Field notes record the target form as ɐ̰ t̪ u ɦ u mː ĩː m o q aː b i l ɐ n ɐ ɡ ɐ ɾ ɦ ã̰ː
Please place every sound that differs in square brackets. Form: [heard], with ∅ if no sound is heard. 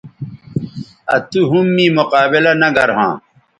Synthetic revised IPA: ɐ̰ t̪ u ɦ u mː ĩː m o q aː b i l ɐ n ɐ ɡ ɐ ɾ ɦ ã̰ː